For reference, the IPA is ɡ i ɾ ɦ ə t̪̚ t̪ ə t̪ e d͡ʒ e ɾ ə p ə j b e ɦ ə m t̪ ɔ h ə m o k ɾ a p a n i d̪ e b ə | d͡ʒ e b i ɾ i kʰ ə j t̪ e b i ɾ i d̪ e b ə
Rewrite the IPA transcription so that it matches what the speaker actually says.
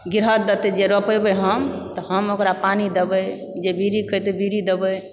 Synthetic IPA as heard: ɡ i ɾ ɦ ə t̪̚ d̪ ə t̪ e d͡ʒ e ɾ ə p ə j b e ɦ ə m t̪ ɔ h ə m o k ɾ a p a n i d̪ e b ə | d͡ʒ e b i ɾ i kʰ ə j t̪ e b i ɾ i d̪ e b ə